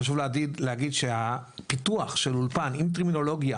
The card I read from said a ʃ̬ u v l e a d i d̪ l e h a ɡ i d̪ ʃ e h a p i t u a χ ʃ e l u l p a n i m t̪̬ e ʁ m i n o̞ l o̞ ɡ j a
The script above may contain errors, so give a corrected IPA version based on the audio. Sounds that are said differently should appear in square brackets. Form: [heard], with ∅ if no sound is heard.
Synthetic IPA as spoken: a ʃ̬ u v l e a d i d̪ l e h a ɡ i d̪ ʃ e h a p i t u a χ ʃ e l u l p a n i m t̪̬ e ʁ m i n o̞ l o̞ ɡ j a